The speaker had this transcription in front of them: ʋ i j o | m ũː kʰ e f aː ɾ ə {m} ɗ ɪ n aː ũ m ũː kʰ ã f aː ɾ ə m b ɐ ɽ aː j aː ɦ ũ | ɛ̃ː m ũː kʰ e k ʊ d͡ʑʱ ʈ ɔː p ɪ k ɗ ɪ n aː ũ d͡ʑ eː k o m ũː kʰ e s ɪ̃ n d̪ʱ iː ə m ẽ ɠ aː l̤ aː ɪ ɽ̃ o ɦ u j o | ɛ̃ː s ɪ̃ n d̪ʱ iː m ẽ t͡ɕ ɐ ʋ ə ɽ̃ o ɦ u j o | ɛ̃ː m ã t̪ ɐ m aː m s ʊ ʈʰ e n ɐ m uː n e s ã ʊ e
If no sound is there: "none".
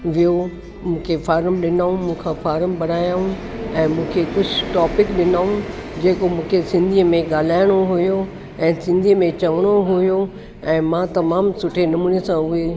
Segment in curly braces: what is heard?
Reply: m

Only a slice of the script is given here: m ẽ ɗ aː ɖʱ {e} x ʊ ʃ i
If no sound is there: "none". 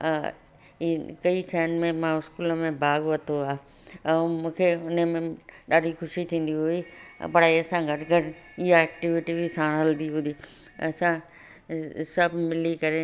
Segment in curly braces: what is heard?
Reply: i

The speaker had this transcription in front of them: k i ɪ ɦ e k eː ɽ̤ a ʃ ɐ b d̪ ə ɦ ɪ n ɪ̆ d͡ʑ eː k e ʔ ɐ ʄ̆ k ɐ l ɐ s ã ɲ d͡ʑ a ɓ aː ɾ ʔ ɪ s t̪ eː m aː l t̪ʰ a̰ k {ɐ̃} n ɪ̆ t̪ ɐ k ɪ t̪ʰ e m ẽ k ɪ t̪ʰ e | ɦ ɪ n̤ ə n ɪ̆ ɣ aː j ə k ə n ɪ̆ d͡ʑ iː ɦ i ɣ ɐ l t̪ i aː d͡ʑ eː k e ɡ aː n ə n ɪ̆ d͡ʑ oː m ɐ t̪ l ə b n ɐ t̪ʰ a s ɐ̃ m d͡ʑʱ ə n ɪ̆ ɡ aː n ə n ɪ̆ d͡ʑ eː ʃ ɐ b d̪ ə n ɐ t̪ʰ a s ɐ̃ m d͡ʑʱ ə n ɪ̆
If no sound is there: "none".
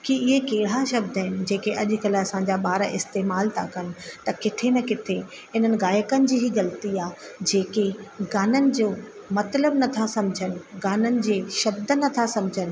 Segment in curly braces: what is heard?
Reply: ɐ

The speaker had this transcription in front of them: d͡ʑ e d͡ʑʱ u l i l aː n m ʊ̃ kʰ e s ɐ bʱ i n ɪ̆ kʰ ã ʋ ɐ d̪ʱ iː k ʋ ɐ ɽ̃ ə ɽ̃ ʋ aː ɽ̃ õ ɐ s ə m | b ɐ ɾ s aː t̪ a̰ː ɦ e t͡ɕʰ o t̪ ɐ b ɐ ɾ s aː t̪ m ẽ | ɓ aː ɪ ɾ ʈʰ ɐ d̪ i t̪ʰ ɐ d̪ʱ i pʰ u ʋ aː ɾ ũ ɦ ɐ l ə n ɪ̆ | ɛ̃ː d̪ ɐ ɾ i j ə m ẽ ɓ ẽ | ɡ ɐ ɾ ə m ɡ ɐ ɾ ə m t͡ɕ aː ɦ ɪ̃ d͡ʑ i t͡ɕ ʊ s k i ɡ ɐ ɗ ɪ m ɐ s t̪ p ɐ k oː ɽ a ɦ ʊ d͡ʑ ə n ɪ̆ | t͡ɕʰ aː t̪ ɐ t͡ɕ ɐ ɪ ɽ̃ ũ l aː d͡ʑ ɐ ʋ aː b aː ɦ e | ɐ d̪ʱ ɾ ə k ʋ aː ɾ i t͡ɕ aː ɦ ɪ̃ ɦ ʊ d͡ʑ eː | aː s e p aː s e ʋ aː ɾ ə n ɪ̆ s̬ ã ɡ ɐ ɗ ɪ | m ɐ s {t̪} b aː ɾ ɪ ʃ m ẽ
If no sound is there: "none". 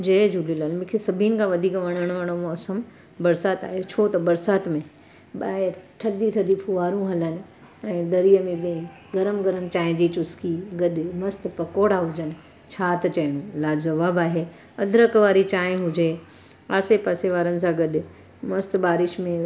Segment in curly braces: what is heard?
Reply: t̪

